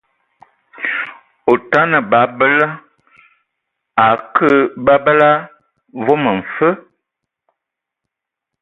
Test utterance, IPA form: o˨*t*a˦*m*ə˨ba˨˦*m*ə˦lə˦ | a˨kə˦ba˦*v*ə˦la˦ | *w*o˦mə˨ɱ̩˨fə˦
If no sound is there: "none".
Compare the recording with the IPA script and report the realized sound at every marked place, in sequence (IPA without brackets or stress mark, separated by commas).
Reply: t, n, b, b, v